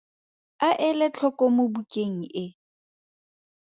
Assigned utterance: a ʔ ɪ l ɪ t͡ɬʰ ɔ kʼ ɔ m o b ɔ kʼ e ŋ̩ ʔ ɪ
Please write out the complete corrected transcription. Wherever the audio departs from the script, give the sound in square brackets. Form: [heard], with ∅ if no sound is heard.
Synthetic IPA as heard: a ʔ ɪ l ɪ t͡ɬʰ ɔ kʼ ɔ m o b [u] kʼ e ŋ̩ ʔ ɪ